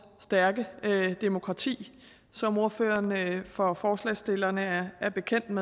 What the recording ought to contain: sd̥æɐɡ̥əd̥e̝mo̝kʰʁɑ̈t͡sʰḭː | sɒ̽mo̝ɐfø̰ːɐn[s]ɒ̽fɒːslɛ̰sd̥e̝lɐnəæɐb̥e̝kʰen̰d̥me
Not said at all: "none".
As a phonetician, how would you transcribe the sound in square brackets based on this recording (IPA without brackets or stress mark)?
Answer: f